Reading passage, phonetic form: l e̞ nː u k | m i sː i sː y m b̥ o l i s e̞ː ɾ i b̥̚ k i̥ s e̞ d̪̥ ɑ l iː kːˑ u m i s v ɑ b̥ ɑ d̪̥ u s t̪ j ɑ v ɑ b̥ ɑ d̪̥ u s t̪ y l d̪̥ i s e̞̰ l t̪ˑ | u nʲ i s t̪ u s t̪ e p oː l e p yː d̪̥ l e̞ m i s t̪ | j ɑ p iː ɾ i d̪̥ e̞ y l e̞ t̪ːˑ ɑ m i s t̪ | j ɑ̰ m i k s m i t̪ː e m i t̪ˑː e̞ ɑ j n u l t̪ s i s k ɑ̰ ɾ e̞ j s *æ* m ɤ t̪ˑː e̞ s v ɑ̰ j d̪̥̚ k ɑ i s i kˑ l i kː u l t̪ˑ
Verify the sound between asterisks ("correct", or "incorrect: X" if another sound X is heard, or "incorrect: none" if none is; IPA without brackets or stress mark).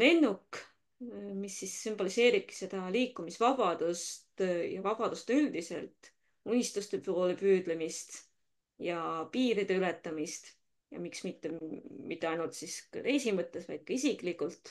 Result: incorrect: i